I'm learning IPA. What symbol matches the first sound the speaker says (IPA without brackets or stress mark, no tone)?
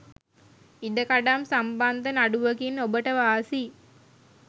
i